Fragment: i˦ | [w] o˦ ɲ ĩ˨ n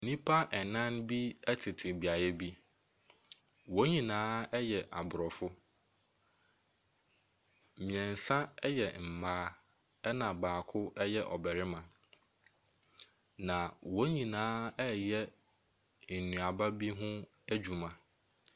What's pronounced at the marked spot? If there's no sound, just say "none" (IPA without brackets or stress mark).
w